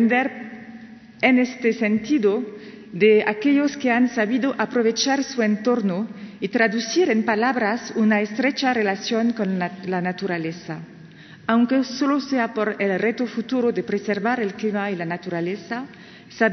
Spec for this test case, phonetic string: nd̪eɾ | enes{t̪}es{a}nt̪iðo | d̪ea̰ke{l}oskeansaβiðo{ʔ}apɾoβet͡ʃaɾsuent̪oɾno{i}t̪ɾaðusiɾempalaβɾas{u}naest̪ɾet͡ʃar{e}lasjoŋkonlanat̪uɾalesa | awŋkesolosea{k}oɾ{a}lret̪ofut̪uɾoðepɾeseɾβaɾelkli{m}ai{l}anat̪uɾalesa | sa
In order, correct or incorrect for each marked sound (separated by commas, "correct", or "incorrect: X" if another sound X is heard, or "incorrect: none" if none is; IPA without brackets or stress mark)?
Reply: correct, incorrect: e, incorrect: ʎ, correct, correct, correct, correct, incorrect: p, incorrect: e, correct, correct